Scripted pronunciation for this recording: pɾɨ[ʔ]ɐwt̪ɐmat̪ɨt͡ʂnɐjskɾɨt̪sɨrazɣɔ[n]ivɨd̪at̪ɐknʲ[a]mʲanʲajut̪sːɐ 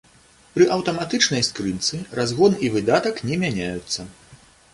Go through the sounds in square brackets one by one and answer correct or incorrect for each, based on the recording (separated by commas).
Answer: correct, correct, incorrect